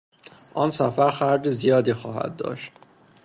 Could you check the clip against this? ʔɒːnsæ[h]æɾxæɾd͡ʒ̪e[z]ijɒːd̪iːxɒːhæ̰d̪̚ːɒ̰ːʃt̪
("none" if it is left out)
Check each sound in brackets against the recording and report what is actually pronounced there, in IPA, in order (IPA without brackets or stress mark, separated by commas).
f, z